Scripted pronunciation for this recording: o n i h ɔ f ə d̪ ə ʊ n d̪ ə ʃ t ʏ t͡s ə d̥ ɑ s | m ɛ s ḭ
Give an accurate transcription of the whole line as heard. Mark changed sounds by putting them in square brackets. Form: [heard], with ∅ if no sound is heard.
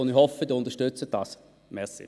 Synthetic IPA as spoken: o n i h ɔ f ə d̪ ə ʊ n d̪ ə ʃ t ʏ t͡s ə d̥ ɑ s | m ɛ s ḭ